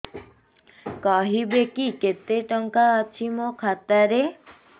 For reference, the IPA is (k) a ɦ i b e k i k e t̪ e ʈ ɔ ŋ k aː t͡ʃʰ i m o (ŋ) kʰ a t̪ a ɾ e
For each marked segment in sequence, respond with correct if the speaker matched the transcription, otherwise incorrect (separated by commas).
correct, incorrect